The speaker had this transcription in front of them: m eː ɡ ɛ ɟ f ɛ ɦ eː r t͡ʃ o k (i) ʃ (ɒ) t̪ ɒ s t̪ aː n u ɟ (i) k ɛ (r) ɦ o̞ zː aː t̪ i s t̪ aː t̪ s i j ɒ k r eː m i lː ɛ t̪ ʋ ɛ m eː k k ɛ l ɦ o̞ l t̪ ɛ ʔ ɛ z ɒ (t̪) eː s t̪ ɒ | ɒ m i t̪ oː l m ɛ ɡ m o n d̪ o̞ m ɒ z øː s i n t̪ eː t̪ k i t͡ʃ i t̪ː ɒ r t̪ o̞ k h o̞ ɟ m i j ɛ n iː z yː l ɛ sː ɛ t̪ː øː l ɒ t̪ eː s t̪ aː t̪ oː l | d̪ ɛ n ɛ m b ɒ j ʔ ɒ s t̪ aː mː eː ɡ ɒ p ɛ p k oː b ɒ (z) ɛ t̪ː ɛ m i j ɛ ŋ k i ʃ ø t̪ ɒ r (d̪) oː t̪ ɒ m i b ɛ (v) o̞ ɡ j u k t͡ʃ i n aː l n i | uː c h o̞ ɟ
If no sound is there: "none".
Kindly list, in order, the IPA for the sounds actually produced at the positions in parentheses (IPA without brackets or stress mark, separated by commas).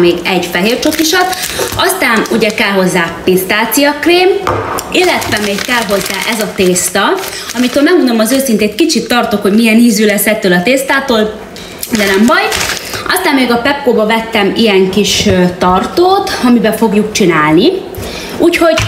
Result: i, ɒ, ɛ, l, t̪, v, t̪, f